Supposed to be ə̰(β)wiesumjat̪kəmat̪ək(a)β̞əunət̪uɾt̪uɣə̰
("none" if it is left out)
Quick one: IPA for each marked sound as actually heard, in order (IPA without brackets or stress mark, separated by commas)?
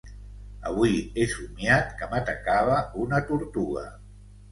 β, a